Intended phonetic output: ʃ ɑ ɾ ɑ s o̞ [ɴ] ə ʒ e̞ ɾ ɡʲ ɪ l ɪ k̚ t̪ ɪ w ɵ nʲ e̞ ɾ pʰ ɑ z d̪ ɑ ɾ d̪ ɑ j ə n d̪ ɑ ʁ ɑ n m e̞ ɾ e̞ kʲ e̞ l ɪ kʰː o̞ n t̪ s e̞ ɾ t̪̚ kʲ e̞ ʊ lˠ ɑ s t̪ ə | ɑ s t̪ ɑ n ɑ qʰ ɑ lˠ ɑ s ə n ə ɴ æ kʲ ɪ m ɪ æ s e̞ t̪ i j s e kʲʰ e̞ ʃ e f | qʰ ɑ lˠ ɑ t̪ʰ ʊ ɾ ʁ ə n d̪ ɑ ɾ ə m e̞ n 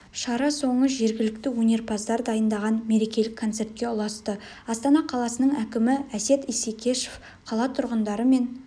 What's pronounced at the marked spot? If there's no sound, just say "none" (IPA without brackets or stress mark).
ɴ